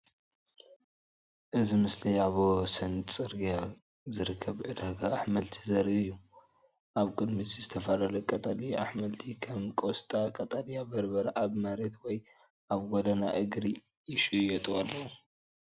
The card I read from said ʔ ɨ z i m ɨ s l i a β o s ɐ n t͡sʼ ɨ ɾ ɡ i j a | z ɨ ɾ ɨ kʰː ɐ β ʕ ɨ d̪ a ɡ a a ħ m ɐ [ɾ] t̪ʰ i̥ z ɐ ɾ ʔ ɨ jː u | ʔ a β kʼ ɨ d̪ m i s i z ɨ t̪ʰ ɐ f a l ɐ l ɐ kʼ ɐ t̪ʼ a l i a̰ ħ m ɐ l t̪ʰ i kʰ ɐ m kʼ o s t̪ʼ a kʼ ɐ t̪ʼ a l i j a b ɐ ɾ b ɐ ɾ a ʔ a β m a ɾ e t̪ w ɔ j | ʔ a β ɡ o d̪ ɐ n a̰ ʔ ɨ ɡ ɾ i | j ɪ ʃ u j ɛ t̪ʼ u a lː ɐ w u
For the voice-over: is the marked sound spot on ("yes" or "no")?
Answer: no